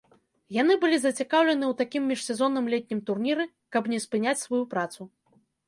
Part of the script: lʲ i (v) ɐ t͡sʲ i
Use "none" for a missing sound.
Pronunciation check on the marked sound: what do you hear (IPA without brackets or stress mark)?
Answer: z